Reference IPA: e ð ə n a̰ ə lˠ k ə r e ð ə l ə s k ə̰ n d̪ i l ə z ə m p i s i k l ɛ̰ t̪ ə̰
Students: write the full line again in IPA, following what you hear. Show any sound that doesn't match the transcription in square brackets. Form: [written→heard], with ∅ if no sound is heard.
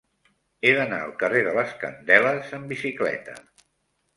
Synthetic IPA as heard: e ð ə n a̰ ə lˠ k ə r e ð ə l ə s k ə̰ n d̪ [i→ɛ] l ə z ə m [p→b] i s i k l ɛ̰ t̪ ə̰